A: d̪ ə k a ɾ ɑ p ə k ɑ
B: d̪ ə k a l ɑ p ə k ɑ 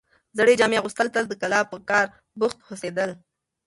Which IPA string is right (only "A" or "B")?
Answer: B